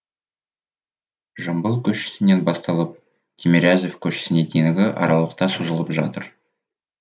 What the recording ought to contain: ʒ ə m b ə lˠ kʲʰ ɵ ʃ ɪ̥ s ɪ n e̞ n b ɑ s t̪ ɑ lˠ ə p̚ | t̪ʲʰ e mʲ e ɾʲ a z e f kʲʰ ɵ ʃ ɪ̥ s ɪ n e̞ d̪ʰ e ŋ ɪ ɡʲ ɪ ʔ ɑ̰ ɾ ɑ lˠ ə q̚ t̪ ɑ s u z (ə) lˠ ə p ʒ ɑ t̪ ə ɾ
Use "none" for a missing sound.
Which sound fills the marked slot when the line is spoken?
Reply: ə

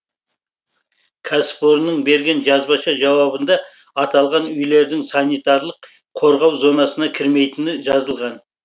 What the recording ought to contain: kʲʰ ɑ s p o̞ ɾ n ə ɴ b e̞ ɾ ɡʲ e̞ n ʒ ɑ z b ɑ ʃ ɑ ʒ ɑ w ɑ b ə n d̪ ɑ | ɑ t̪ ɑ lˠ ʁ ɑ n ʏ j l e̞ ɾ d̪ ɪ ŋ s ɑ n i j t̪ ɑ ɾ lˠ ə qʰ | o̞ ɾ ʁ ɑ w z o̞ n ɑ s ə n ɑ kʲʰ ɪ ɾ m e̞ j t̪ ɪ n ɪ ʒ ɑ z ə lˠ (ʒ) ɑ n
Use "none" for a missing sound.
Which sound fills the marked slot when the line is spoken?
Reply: ʁ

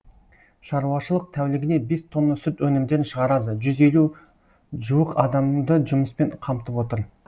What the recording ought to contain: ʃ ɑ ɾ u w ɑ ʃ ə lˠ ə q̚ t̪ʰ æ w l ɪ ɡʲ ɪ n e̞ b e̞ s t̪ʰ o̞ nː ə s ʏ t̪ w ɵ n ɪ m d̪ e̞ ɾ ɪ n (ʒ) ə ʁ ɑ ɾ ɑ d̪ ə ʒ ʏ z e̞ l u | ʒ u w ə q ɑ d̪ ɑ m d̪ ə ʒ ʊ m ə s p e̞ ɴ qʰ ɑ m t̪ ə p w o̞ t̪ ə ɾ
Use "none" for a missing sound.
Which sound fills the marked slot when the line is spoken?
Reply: ʃ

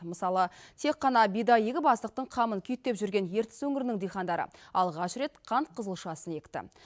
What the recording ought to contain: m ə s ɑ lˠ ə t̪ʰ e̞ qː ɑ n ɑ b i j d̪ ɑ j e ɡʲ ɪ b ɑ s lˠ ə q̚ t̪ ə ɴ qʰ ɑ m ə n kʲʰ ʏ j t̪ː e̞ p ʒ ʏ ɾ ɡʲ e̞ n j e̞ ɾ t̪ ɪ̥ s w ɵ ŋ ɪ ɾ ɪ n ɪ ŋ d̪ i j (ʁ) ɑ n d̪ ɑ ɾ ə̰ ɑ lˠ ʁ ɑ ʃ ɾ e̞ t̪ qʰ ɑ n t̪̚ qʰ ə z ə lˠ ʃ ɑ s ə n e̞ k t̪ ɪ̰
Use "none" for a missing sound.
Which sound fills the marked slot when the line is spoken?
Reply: χ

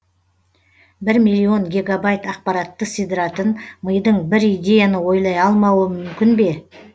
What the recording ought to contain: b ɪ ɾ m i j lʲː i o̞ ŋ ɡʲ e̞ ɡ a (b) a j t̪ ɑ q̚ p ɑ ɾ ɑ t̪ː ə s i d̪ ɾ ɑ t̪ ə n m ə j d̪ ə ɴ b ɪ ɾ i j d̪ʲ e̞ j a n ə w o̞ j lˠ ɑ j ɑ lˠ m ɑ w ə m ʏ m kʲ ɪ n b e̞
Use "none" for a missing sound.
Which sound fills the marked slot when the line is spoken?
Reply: b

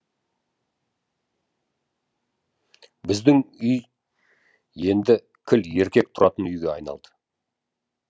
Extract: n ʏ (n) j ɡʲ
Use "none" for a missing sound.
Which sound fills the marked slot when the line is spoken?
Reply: none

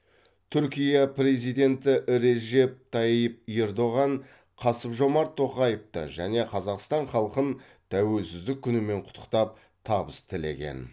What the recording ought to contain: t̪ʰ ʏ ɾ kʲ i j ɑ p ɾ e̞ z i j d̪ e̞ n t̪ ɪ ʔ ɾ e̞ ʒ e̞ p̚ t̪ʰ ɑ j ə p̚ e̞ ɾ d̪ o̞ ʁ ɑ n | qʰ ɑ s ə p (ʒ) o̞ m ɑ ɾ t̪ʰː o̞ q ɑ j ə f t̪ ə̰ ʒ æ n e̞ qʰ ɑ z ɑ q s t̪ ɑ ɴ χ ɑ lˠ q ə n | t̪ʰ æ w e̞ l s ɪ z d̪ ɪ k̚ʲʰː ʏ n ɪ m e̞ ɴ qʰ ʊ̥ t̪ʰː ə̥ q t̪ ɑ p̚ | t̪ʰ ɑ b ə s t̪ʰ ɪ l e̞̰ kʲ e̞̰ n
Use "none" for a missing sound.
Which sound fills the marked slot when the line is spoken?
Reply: ʒ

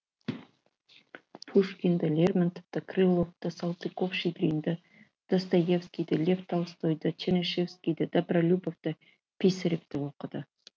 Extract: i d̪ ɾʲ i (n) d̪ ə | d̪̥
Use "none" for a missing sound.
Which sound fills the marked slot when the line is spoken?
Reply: n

